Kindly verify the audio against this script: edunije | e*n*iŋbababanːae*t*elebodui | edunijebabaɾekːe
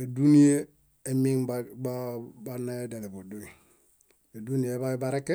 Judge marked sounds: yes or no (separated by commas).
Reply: no, no